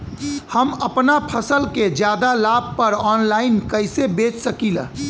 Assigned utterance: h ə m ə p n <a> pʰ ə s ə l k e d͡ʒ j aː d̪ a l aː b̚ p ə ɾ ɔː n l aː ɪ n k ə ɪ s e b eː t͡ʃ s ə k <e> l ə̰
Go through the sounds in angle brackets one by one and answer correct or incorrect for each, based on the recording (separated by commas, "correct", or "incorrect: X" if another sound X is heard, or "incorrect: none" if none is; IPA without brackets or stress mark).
correct, incorrect: i